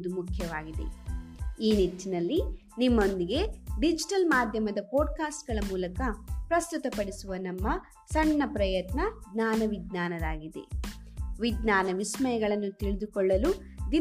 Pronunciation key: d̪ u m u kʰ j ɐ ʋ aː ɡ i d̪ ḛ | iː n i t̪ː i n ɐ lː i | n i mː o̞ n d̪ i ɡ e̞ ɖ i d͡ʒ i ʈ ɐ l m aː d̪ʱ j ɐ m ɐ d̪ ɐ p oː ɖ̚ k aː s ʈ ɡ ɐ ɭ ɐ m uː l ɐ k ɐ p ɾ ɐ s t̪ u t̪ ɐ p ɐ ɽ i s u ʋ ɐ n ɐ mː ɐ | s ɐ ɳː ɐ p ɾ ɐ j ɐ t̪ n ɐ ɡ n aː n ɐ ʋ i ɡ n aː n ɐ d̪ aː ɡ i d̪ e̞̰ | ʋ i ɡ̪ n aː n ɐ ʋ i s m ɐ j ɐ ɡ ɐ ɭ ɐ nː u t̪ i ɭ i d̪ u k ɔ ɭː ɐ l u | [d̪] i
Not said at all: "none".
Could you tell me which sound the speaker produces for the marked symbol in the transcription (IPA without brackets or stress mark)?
d̪